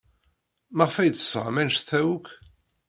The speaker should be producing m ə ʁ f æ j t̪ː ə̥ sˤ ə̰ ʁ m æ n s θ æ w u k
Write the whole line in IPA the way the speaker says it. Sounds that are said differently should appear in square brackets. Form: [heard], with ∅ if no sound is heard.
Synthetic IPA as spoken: m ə ʁ f æ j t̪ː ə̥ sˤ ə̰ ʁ m æ n [ʃ] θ æ w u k